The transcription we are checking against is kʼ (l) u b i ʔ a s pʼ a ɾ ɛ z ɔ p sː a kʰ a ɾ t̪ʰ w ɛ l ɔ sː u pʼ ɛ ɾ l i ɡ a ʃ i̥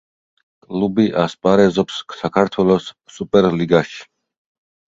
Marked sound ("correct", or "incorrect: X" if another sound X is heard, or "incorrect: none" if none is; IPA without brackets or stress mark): correct